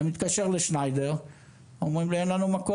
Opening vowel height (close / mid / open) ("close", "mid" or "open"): close